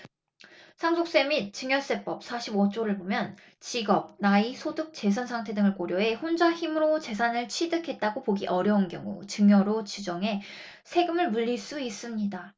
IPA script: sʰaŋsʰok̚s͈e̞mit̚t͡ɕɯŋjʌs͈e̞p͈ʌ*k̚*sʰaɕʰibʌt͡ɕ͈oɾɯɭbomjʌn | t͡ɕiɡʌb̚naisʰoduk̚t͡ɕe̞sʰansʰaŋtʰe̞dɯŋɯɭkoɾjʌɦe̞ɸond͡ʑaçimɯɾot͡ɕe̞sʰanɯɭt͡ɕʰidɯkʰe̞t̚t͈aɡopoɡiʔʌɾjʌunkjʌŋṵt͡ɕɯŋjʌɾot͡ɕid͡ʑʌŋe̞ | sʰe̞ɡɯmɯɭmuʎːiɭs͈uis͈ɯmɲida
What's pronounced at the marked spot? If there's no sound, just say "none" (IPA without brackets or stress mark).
p̚